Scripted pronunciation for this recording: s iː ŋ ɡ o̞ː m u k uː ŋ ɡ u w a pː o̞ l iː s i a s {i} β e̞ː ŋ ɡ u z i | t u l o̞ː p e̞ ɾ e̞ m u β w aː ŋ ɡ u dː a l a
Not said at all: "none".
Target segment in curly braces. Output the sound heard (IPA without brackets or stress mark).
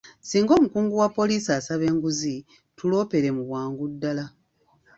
a